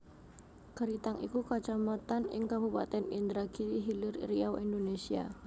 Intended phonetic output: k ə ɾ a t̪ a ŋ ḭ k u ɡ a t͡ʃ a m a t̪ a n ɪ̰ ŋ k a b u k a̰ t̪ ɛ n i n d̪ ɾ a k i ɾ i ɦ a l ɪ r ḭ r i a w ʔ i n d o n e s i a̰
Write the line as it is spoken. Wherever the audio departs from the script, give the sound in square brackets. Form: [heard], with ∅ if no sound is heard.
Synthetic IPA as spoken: k ə ɾ [i] t̪ a ŋ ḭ k u [k] a t͡ʃ a m a t̪ a n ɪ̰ ŋ k a b u [p] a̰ t̪ ɛ n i n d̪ ɾ a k i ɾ i ɦ [i] l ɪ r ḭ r i a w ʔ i n d o n e s i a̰